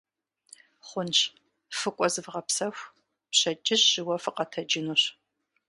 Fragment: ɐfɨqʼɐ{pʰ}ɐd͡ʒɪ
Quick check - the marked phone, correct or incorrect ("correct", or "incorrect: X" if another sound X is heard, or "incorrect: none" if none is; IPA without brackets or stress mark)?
incorrect: tʰ